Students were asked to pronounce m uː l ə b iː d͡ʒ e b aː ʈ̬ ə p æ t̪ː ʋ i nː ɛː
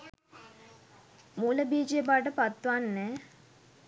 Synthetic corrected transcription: m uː l ə b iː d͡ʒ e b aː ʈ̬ ə p a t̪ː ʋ a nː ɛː